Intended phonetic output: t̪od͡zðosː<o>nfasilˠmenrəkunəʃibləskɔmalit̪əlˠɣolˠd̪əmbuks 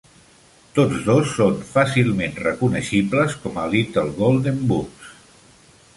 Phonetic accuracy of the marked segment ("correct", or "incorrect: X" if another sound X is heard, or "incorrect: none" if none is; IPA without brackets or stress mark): correct